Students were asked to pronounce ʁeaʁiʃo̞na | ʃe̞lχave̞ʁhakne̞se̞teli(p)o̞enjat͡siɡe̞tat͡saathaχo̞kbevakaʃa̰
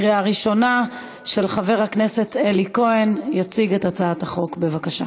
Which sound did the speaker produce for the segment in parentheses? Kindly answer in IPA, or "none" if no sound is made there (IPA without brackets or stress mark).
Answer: k